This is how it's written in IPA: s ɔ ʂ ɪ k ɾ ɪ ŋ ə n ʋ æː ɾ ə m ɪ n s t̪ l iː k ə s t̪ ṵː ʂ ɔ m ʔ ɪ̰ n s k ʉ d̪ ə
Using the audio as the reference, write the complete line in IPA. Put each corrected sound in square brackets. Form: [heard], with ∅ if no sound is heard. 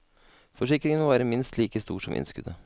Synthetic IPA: [f] ɔ ʂ ɪ k ɾ ɪ ŋ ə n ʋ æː ɾ ə m ɪ n s t̪ l iː k ə s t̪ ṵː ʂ ɔ m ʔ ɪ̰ n s k ʉ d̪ ə